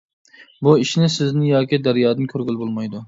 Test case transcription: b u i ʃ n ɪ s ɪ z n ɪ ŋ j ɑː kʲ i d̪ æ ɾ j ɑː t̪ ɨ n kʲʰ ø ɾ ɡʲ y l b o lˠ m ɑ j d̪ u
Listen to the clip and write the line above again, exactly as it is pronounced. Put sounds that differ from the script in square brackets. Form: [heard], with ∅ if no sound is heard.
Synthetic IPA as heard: b u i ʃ n ɪ s ɪ z n ɪ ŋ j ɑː kʲ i d̪ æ ɾ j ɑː [d̪] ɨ n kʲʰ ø ɾ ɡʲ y l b o lˠ m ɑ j d̪ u